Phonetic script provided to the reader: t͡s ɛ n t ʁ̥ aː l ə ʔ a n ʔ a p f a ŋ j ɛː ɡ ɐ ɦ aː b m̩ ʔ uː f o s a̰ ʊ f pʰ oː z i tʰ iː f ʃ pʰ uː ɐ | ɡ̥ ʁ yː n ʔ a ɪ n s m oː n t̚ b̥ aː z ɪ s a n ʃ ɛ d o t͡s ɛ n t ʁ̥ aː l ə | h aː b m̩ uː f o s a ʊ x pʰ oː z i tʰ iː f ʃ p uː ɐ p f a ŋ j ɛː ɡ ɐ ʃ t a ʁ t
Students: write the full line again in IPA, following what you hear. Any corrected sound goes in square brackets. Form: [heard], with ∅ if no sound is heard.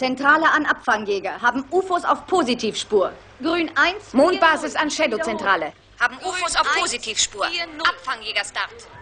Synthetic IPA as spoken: t͡s ɛ n t ʁ̥ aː l ə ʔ a n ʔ a p f a ŋ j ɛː ɡ ɐ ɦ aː b m̩ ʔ uː f o s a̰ ʊ f pʰ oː z i tʰ iː f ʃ [p] uː ɐ | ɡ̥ ʁ yː n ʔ a ɪ n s m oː n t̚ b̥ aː z ɪ s a n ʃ ɛ d o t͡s ɛ n t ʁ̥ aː l ə | h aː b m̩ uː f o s a ʊ [f] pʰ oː z i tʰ iː f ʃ p uː ɐ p f a ŋ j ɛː ɡ ɐ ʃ t a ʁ t